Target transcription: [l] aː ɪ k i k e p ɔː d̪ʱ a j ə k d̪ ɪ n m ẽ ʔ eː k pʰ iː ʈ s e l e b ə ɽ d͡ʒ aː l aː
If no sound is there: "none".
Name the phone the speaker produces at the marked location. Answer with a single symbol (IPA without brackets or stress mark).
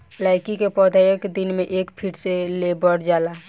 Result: l